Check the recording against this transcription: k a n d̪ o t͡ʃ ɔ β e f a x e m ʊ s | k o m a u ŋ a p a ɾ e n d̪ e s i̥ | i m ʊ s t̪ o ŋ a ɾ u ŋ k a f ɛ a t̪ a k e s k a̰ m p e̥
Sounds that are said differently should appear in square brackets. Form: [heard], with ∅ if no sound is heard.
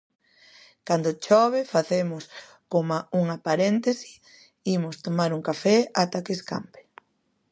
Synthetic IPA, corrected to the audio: k a n d̪ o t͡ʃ ɔ β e f a [θ] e m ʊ s | k o m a u ŋ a p a ɾ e n [t̪] e s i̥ | i m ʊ s t̪ o [m] a ɾ u ŋ k a f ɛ a t̪ a k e s k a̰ m p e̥